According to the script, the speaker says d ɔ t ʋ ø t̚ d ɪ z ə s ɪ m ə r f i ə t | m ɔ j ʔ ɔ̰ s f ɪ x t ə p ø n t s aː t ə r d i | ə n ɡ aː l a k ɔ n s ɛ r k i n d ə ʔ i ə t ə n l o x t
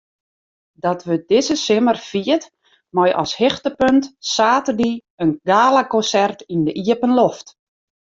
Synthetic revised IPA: d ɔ t ʋ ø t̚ d ɪ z ə s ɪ m ə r f i ə t | m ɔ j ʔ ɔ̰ s h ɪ x t ə p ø n t s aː t ə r d i | ə n ɡ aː l a k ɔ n s ɛ r t i n d ə ʔ i ə p ə n l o f t